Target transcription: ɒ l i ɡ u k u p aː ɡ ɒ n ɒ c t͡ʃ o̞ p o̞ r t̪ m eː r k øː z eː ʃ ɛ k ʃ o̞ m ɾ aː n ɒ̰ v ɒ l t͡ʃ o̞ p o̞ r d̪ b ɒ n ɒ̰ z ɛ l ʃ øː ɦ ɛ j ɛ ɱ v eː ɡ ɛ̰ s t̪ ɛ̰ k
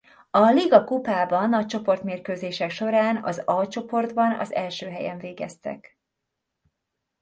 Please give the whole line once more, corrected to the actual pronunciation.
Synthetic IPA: ɒ l i ɡ ɒ k u p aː b ɒ n ɒ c t͡ʃ o̞ p o̞ r t̪ m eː r k øː z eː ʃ ɛ k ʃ o̞ ɾ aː n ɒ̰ z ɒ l t͡ʃ o̞ p o̞ r d̪ b ɒ n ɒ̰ z ɛ l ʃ øː ɦ ɛ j ɛ ɱ v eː ɡ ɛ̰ s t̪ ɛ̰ k